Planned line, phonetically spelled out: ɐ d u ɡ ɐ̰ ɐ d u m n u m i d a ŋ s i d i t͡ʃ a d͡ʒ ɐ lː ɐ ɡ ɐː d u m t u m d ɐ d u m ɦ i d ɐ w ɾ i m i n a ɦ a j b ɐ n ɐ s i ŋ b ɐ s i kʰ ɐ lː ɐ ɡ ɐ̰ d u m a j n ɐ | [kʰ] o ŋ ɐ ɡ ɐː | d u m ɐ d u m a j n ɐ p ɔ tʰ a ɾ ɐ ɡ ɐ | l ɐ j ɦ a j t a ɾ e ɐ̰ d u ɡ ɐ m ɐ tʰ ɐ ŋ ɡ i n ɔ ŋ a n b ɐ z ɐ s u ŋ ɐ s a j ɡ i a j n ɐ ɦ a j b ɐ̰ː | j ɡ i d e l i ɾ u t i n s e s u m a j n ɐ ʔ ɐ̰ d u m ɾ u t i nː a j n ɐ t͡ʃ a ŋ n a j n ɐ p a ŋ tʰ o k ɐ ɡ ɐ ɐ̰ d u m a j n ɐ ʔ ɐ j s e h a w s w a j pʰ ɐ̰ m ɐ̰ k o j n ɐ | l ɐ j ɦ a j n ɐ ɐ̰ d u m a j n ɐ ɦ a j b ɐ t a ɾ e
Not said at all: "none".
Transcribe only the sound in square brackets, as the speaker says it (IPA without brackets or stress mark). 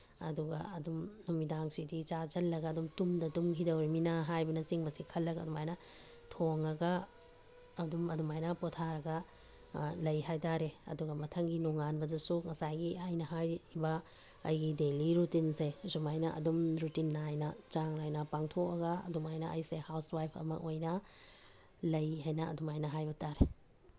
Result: tʰ